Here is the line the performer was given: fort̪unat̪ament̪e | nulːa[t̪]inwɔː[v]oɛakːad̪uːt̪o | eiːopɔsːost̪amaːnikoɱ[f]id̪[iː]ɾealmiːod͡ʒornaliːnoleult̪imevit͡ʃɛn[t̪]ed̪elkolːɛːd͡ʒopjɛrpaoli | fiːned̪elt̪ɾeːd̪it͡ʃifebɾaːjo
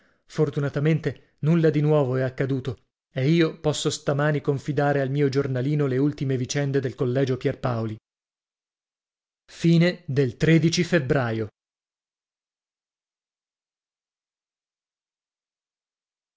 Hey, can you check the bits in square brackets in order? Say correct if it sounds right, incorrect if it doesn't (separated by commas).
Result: incorrect, correct, correct, incorrect, incorrect